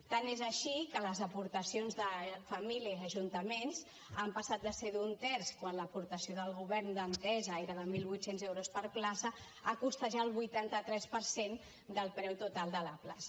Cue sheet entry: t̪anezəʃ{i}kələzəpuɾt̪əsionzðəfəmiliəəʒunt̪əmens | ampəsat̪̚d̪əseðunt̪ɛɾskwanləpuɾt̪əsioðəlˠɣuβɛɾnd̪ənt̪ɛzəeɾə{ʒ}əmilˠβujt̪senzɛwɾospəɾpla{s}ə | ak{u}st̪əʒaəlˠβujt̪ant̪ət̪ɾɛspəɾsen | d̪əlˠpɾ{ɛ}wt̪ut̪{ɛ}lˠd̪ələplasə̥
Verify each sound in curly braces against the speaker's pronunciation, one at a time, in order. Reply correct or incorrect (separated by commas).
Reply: correct, incorrect, correct, correct, correct, incorrect